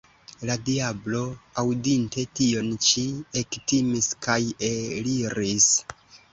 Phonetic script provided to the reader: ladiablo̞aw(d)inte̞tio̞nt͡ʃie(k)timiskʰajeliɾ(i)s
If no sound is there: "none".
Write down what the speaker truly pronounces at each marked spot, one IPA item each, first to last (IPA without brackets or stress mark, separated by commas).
d, k, i